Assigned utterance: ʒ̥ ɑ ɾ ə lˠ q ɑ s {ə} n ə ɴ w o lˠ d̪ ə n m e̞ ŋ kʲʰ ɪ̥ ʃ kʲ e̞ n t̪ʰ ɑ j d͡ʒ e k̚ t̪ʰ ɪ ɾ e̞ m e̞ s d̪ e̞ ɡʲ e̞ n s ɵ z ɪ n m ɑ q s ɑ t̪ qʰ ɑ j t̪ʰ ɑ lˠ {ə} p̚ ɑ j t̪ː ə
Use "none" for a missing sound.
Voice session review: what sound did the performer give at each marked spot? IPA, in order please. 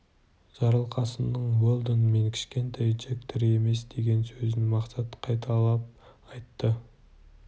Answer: ə, ɑ

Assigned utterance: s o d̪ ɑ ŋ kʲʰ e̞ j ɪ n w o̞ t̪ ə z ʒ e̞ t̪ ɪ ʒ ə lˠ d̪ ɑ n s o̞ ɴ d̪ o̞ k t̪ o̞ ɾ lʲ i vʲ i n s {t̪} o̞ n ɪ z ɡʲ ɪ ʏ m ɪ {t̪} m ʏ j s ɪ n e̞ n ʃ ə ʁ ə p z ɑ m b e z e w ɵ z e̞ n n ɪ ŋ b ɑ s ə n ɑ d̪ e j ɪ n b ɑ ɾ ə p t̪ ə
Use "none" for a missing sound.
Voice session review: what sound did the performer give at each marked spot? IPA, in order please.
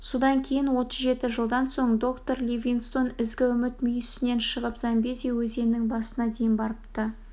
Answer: t̪, t̪

